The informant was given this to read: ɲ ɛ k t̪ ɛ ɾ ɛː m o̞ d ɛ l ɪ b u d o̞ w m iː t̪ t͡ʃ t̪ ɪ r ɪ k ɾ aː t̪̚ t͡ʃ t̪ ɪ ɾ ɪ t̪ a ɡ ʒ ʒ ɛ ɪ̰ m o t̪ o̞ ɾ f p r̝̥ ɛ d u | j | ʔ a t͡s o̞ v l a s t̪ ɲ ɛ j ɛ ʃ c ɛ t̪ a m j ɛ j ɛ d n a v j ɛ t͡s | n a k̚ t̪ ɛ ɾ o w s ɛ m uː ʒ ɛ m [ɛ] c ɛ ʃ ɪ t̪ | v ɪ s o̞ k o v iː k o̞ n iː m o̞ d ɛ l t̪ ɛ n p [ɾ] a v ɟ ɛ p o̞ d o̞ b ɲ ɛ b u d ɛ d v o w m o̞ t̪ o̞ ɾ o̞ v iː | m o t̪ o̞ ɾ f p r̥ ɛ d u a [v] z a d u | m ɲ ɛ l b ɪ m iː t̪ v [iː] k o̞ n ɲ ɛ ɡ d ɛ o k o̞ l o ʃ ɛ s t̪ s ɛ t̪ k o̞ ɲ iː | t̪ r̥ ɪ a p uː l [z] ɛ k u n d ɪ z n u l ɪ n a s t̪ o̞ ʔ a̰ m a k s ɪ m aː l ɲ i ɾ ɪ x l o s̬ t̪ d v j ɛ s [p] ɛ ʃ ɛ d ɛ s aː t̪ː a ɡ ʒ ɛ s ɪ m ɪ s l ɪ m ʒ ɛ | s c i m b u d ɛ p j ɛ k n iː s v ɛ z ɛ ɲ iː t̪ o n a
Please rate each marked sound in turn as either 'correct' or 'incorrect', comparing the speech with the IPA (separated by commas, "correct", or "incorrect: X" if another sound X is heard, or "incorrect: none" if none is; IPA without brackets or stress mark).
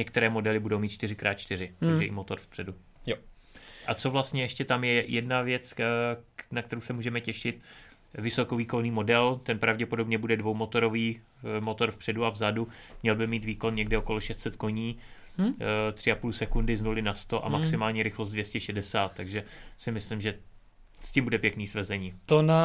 correct, correct, correct, correct, incorrect: s, incorrect: c